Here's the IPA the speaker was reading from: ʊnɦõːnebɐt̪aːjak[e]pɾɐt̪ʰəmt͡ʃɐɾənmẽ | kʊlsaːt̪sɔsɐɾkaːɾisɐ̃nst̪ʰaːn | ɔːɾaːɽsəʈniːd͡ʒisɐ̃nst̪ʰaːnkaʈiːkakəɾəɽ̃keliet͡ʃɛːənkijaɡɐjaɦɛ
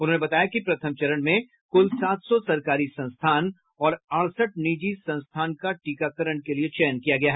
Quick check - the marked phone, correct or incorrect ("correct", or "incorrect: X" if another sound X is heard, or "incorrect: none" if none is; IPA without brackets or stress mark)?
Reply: incorrect: i